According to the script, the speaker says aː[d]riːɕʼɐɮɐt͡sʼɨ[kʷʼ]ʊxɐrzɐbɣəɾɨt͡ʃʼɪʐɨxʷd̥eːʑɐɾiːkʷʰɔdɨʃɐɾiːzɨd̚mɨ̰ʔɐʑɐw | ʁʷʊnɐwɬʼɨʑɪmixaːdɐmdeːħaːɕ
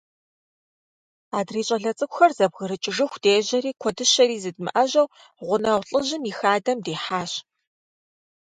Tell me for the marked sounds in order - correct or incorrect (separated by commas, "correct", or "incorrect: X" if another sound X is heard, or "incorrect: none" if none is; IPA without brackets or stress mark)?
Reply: correct, incorrect: kʷ